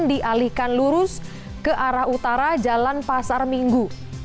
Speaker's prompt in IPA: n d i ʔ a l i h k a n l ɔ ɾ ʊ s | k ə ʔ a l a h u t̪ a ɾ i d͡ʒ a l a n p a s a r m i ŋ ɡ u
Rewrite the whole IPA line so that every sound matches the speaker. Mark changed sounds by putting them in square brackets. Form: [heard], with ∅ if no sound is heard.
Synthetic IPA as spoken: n d i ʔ a l i h k a n l [u] ɾ ʊ s | k ə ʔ a [ɾ] a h u t̪ a ɾ [a] d͡ʒ a l a n p a s a r m i ŋ ɡ u

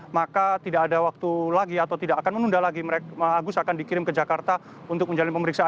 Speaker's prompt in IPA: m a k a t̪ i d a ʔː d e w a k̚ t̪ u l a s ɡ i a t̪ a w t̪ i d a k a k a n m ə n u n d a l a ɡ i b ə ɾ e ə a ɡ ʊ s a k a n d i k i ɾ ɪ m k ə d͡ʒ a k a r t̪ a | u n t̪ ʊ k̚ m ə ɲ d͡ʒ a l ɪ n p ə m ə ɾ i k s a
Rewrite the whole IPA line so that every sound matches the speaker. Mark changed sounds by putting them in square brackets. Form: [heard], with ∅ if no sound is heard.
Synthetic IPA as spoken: m a k a t̪ i d a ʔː d [a] w a k̚ t̪ u l a [∅] ɡ i a t̪ a w t̪ i d a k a k a n m ə n u n d a l a ɡ i [m] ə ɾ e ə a ɡ ʊ s a k a n d i k i ɾ ɪ m k ə d͡ʒ a k a r t̪ a | u n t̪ ʊ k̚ m ə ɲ d͡ʒ a l ɪ n p ə m ə ɾ i k s a

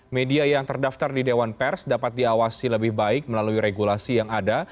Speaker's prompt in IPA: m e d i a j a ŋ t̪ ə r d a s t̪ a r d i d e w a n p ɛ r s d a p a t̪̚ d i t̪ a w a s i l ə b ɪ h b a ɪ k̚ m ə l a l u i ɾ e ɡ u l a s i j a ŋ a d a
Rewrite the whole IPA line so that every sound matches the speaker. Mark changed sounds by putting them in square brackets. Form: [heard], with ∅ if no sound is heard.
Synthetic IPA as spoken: m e d i a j a ŋ t̪ ə r d a [f] t̪ a r d i d e w a n p ɛ r s d a p a t̪̚ d i [∅] a w a s i l ə b ɪ h b a ɪ k̚ m ə l a l u i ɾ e ɡ u l a s i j a ŋ a d a

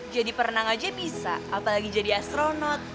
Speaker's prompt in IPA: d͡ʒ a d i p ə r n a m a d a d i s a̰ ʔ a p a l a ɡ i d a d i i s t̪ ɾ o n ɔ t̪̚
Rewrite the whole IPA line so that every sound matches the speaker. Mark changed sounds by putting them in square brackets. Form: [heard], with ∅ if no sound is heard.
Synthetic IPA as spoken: d͡ʒ a d i p ə r n a [ŋ] a [d͡ʒ] a [b] i s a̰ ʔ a p a l a ɡ i [d͡ʒ] a d i [a] s t̪ ɾ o n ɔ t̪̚

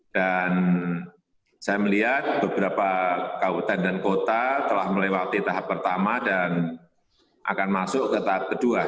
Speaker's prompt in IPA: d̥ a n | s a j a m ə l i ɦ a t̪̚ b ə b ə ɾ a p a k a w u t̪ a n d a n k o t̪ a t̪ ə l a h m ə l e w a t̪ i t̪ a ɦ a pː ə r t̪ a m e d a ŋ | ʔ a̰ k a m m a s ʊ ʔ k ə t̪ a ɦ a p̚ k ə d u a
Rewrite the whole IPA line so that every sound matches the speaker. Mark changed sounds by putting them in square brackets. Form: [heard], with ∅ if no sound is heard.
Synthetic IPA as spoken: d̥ a n | s a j a m ə l i ɦ a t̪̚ b ə b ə ɾ a p a k a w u t̪ a n d a n k o t̪ a t̪ ə l a h m ə l e w a t̪ i t̪ a ɦ a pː ə r t̪ a m [a] d a [n] | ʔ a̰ k a [n] m a s ʊ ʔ k ə t̪ a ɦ a p̚ k ə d u a

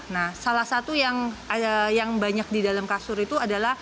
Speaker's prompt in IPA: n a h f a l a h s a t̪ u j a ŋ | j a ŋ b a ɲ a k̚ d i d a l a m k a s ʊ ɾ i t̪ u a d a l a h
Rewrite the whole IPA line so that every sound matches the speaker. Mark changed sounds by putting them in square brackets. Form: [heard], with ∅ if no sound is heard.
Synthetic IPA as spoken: n a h [s] a l a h s a t̪ u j a ŋ | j a ŋ b a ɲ a k̚ d i d a l a m k a s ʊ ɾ i t̪ u a d a l a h

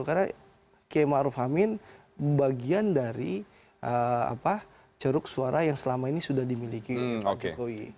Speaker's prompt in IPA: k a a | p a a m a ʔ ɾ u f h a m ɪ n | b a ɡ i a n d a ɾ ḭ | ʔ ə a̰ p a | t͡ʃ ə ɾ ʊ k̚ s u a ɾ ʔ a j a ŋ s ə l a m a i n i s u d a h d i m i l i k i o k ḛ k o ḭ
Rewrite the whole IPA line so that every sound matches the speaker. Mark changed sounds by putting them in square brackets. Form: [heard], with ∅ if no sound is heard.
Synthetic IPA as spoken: k a a | [k] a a m a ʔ ɾ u f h a m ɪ n | b a ɡ i a n d a ɾ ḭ | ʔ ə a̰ p a | t͡ʃ ə ɾ ʊ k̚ s u a ɾ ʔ a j a ŋ s ə l a m a i n i s u d a h d i m i l i k i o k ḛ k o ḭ

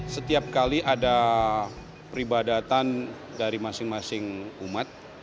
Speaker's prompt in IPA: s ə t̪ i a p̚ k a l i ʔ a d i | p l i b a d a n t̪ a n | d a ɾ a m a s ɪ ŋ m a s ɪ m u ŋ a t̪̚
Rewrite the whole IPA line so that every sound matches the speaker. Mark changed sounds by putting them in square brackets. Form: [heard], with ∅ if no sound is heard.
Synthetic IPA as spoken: s ə t̪ i a p̚ k a l i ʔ a d [a] | p [ɾ] i b a d a [∅] t̪ a n | d a ɾ [i] m a s ɪ ŋ m a s ɪ [ŋ] u [m] a t̪̚

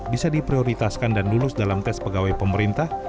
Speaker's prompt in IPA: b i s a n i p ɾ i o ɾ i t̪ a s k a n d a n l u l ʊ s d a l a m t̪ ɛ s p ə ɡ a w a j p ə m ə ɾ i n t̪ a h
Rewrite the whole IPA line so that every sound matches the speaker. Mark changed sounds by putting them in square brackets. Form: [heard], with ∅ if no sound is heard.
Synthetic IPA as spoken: b i s a [d] i p ɾ i o ɾ i t̪ a s k a n d a n l u l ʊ s d a l a m t̪ ɛ s p ə ɡ a w a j p ə m ə ɾ i n t̪ a h

